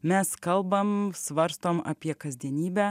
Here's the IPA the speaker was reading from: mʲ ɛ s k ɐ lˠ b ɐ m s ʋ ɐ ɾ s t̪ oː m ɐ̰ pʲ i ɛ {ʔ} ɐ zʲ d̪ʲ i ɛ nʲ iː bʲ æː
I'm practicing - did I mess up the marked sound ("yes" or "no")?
yes